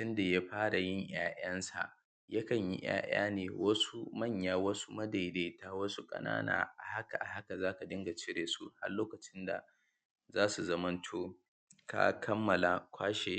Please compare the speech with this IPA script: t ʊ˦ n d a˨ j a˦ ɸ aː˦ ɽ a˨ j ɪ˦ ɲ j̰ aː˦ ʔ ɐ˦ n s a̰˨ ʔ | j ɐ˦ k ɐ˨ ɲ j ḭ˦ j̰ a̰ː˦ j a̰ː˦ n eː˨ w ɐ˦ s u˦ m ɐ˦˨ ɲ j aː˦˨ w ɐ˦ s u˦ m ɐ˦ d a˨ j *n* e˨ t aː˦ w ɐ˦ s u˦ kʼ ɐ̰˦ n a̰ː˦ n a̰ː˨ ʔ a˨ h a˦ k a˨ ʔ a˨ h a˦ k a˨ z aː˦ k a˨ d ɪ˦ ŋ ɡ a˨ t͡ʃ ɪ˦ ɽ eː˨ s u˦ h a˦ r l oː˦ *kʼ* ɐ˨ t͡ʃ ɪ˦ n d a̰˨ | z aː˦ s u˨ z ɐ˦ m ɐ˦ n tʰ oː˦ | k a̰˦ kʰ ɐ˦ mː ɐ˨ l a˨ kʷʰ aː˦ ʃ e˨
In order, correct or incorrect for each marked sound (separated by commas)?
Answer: incorrect, incorrect